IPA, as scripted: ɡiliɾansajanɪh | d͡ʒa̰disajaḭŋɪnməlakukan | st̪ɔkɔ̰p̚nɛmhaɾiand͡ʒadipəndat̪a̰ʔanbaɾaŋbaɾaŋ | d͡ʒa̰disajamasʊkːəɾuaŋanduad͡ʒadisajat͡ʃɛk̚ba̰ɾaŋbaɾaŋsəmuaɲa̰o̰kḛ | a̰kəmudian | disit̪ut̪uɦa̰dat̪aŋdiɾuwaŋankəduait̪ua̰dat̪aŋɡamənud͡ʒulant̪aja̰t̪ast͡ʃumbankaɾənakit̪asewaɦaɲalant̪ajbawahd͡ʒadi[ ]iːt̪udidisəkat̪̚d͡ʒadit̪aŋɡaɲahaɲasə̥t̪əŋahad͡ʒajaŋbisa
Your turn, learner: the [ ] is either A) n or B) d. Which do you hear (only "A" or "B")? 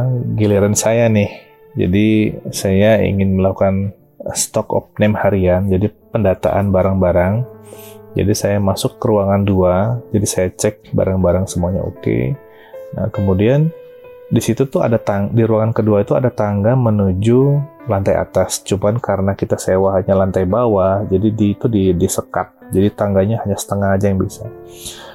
B